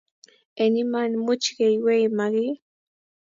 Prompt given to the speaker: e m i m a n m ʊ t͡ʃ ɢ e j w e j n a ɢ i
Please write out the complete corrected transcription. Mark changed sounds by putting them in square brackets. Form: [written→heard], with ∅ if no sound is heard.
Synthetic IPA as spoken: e [m→n] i m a n m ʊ t͡ʃ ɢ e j w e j [n→m] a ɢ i